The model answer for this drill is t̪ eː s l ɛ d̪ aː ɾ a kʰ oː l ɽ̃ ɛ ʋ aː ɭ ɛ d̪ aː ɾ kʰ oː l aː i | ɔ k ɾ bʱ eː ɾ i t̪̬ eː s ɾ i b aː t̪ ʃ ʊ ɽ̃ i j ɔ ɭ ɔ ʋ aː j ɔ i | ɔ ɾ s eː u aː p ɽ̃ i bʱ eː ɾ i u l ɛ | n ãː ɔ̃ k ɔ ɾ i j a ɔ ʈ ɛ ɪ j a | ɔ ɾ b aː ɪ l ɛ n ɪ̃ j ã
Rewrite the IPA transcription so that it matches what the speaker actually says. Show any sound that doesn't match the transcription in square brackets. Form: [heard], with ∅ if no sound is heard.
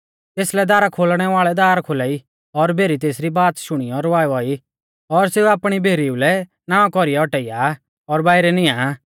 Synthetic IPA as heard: t̪ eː s l ɛ d̪ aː ɾ a kʰ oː l ɽ̃ ɛ ʋ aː ɭ ɛ d̪ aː ɾ kʰ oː l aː i | ɔ [∅] ɾ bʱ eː ɾ i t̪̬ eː s ɾ i b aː t̪ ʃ ʊ ɽ̃ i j ɔ [ɾ] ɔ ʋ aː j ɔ i | ɔ ɾ s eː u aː p ɽ̃ i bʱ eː ɾ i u l ɛ | n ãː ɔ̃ k ɔ ɾ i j a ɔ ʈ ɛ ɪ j a | ɔ ɾ b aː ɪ [ɾ] ɛ n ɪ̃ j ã